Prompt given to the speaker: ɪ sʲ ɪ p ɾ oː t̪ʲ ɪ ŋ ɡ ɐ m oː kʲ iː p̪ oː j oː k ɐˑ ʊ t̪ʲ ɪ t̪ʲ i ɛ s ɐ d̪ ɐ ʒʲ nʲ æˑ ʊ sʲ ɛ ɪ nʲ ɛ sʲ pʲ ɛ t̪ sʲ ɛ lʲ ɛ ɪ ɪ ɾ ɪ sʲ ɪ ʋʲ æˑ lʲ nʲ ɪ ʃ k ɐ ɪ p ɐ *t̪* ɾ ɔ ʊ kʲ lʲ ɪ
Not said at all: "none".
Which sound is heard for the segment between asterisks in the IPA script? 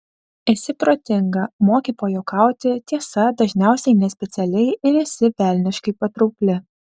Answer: t̪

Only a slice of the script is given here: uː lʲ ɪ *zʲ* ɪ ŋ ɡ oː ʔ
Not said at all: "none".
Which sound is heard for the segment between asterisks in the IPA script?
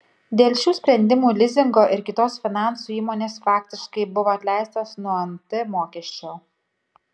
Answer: zʲ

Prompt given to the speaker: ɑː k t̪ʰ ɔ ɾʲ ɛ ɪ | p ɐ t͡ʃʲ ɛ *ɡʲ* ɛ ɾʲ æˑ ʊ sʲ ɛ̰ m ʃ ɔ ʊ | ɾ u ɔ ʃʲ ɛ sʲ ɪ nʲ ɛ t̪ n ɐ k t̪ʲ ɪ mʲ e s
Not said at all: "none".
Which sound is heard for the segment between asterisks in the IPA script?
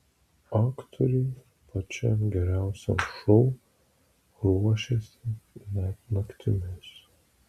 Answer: ɡʲ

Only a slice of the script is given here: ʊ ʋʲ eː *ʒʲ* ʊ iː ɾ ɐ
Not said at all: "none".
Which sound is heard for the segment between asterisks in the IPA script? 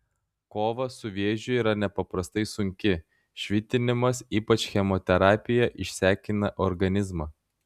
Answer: ʒʲ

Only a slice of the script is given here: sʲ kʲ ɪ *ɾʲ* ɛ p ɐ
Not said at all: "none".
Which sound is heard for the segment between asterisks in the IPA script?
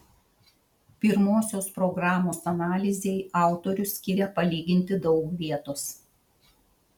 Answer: ɾʲ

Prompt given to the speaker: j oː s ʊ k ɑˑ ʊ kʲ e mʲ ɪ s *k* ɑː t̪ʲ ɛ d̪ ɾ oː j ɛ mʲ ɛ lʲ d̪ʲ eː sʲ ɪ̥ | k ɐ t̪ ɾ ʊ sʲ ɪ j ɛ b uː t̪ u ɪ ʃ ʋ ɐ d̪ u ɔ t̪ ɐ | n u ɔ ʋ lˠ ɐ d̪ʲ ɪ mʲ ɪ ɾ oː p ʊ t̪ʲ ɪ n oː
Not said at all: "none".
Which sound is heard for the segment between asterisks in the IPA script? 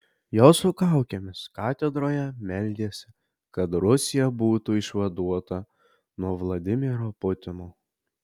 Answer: k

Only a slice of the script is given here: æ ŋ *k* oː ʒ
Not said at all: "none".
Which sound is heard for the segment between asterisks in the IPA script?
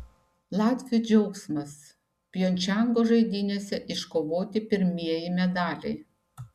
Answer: ɡ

